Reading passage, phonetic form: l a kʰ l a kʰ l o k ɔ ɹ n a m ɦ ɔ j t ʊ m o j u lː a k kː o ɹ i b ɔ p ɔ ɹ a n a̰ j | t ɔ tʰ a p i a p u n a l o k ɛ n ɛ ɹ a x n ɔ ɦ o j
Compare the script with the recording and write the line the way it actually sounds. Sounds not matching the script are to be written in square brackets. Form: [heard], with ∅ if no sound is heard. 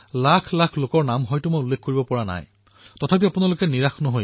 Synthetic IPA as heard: l a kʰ l a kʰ l o k ɔ ɹ n a m ɦ ɔ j t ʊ m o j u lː [e] k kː o ɹ i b ɔ p ɔ ɹ a n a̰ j | t ɔ tʰ a p i a p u n a l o k ɛ n [i] ɹ a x n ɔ ɦ o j